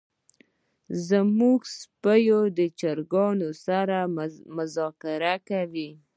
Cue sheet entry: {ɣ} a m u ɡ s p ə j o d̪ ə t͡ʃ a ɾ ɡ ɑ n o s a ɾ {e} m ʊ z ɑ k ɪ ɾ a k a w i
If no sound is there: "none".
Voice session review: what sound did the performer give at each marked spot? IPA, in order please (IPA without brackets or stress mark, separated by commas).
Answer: z, a